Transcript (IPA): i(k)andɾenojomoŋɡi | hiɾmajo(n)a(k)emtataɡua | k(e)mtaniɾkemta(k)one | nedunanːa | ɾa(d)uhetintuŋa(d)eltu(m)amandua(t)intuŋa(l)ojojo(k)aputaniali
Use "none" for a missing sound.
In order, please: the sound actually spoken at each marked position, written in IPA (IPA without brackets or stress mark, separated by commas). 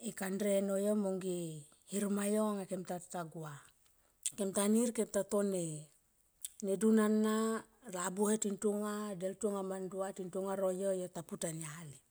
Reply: k, ŋ, k, e, t, b, d, ŋ, t, ɾ, t